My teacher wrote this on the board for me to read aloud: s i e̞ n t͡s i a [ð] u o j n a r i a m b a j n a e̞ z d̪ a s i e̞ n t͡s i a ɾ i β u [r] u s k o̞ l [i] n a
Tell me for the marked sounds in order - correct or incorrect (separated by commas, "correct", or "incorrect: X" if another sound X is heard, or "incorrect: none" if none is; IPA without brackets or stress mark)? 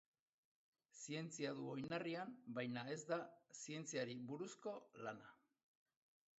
correct, incorrect: ɾ, incorrect: a